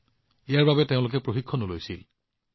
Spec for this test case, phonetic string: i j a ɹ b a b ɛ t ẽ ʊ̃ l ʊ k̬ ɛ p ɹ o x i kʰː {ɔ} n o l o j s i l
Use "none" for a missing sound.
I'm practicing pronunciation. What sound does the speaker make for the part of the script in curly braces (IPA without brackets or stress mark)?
ɔ